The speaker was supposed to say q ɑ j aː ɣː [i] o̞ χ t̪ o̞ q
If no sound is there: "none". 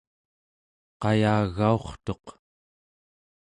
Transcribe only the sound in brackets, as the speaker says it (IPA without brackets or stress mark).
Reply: a